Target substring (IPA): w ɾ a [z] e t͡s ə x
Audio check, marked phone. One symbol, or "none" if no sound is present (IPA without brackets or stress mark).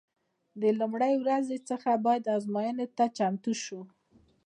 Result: z